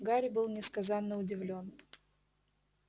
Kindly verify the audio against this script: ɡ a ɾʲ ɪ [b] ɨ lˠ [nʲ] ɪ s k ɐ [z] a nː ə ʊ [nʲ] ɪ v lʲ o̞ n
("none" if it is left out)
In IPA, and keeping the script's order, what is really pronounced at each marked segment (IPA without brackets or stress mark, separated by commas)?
b, nʲ, z, dʲ